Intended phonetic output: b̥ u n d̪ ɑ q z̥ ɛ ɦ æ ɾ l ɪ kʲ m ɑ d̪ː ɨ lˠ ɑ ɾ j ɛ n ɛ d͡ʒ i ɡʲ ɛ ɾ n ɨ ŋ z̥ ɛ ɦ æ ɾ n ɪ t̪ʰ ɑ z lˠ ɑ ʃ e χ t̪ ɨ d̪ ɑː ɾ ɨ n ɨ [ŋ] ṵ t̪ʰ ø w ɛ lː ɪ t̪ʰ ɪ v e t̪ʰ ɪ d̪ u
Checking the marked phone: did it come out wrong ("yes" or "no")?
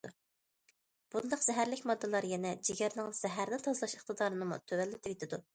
yes